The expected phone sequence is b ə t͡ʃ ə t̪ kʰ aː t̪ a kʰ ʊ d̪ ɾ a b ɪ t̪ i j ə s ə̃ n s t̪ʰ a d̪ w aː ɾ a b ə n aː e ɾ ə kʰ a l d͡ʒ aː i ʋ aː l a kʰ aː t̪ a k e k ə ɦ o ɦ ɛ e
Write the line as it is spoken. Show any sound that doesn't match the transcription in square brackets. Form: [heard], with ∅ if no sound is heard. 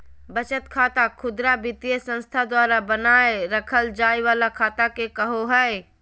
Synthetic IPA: b ə t͡ʃ ə t̪ kʰ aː t̪ a kʰ ʊ d̪ ɾ a b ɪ t̪ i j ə s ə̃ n s t̪ʰ a d̪ w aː ɾ a b ə n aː e ɾ ə kʰ [ə] l d͡ʒ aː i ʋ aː l a kʰ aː t̪ a k e k ə ɦ o ɦ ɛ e